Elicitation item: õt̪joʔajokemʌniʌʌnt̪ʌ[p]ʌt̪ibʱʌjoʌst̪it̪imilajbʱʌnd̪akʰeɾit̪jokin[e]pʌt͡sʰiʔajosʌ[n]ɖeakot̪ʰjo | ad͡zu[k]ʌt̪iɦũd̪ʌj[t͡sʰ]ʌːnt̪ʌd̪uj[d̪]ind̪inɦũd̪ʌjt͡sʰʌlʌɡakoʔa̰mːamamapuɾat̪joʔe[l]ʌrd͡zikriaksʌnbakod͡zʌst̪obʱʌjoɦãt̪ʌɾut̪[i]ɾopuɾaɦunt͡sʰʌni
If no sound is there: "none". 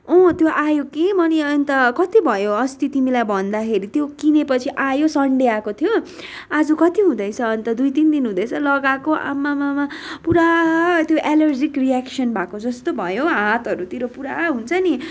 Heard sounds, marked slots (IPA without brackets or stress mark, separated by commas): k, e, ɳ, k, t͡sʰ, t̪, l, i